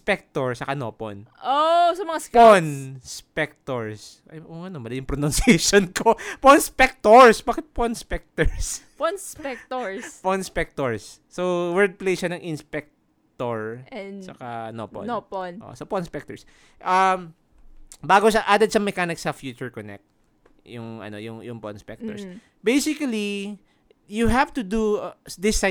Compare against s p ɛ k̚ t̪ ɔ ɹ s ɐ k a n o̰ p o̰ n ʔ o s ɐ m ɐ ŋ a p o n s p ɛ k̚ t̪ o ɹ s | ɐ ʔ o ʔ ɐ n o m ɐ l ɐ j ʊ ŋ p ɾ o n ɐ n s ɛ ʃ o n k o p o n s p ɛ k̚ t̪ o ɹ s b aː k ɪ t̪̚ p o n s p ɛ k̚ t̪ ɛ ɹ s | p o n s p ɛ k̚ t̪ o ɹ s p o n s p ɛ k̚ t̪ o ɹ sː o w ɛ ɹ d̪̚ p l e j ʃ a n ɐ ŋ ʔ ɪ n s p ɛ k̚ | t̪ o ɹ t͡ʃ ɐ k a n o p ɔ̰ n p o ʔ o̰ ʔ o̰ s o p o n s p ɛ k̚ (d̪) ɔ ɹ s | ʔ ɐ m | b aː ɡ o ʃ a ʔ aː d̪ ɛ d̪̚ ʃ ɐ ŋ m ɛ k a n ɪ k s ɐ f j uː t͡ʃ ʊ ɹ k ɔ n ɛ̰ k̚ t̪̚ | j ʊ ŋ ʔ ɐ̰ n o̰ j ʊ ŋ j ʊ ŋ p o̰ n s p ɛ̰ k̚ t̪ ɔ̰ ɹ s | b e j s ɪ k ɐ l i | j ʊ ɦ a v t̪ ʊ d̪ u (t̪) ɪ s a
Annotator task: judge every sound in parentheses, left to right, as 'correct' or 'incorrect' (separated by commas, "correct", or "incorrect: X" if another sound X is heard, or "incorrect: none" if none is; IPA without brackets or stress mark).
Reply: incorrect: t̪, incorrect: d̪